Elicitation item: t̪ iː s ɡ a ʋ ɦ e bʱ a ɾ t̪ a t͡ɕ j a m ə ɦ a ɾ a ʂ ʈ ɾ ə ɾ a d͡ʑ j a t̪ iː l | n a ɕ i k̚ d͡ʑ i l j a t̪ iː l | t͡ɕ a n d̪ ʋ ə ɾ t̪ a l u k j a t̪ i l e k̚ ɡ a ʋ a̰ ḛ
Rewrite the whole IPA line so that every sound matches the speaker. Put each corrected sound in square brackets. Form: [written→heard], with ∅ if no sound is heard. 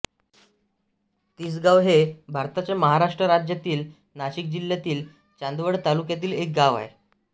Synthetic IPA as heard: t̪ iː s ɡ a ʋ ɦ e bʱ a ɾ t̪ a t͡ɕ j a m ə ɦ a ɾ a ʂ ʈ ɾ ə ɾ a d͡ʑ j a t̪ iː l | n a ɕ i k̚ d͡ʑ i l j a t̪ iː l | t͡ɕ a n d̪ ʋ ə [ɾ→ɽ] t̪ a l u k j a t̪ [i→iː] l e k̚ ɡ a ʋ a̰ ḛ